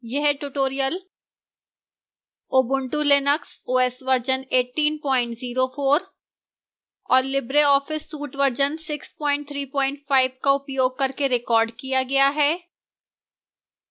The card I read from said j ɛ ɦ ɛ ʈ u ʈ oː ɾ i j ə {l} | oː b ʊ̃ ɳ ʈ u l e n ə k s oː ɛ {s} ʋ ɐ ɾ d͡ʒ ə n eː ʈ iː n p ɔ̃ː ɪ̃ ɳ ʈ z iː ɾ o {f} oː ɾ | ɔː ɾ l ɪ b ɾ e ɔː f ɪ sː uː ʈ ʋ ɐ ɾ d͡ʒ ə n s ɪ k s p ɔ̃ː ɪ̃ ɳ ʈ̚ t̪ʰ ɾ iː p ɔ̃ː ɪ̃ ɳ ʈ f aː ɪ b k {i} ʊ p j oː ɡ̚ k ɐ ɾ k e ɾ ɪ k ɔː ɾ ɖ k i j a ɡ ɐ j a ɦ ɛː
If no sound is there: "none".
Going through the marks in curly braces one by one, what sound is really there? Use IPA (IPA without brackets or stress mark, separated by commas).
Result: l, s, f, a